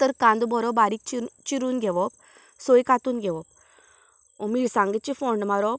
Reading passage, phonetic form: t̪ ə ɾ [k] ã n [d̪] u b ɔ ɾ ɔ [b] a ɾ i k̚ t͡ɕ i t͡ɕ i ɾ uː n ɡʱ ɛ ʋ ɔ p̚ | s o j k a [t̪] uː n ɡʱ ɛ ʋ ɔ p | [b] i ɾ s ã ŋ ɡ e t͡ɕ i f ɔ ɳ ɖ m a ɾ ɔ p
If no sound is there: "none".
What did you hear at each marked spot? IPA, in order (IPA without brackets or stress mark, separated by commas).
k, d̪, b, t̪, m